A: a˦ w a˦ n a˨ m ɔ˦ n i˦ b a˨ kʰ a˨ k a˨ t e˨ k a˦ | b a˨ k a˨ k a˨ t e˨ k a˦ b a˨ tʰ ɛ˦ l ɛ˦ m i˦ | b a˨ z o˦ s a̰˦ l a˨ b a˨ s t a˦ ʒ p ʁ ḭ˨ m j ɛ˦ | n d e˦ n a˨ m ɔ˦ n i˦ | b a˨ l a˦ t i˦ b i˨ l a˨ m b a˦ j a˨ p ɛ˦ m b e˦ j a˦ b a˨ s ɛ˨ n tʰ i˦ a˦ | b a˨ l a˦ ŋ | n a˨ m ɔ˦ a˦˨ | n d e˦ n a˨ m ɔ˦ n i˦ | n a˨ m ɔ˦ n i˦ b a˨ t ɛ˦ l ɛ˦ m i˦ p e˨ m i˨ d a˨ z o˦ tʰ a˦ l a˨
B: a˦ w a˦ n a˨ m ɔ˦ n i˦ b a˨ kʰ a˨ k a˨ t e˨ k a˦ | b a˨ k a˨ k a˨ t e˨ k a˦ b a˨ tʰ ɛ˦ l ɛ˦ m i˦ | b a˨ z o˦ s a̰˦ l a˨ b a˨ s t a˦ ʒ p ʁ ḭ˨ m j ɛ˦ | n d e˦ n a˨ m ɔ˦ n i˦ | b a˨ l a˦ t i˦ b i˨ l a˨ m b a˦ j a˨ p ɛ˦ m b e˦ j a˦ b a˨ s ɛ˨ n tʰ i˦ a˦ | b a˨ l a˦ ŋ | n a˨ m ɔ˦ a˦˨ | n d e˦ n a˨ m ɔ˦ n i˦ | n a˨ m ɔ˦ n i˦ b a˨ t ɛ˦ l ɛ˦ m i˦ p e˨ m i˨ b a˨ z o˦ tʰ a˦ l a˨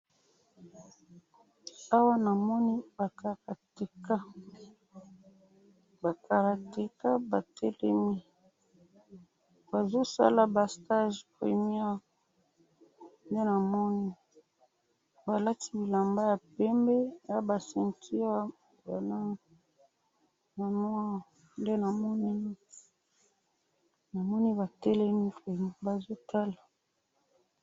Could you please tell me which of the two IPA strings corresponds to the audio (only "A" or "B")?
B